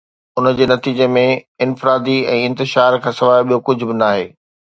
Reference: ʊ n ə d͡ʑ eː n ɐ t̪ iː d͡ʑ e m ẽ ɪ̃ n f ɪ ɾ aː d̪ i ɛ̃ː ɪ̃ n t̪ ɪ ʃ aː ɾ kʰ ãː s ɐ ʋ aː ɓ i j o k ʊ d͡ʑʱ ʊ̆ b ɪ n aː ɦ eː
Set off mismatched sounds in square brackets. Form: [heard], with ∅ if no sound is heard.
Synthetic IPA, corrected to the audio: ʊ n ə d͡ʑ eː n ɐ t̪ iː d͡ʑ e m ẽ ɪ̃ n f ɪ ɾ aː d̪ i ɛ̃ː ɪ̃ n t̪ ɪ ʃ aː ɾ kʰ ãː s ɐ ʋ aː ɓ i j o k ʊ d͡ʑʱ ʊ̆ b ɪ n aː ɦ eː